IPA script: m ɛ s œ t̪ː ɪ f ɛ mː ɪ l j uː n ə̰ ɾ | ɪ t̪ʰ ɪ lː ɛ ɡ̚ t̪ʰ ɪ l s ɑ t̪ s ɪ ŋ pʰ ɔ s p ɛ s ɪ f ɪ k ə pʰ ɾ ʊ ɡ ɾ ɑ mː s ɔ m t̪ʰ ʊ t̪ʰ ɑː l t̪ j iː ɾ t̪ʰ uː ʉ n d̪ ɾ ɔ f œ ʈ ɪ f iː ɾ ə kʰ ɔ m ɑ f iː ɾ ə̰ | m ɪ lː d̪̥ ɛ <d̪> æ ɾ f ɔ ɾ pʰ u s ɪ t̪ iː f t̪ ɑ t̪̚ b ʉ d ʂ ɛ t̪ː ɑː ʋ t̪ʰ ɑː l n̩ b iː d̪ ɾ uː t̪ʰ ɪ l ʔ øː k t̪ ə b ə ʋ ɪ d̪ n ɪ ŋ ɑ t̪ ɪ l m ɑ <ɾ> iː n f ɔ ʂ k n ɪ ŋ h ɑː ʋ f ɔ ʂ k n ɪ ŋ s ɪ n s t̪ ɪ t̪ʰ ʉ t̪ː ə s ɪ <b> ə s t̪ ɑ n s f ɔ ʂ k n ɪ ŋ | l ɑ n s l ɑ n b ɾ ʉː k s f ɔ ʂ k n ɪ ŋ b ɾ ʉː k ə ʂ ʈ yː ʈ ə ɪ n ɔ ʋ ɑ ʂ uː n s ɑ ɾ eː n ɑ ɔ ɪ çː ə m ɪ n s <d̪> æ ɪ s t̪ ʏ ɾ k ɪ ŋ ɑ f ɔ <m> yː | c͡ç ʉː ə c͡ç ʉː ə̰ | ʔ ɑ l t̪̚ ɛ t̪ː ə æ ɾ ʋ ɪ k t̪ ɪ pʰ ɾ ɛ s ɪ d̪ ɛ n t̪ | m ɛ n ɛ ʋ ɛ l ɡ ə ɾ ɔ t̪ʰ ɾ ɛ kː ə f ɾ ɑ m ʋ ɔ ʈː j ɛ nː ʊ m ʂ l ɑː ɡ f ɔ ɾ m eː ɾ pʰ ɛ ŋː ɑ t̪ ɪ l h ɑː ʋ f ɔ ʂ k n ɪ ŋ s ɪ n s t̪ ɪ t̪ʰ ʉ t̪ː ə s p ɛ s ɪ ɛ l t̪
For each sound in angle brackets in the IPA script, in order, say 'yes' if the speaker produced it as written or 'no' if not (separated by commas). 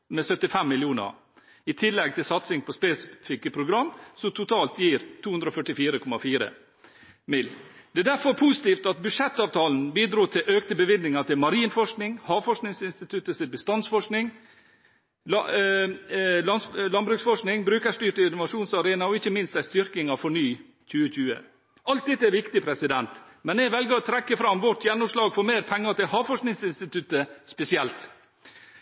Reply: yes, yes, yes, no, no